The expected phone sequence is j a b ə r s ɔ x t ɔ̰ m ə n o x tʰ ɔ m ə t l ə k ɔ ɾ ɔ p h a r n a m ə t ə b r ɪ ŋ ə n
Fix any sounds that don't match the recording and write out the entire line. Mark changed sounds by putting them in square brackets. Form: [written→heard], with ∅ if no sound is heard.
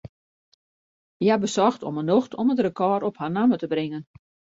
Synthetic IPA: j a b ə [r→∅] s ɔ x t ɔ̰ m ə n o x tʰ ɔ m ə t [l→r] ə k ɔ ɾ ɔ p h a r n a m ə t ə b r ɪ ŋ ə n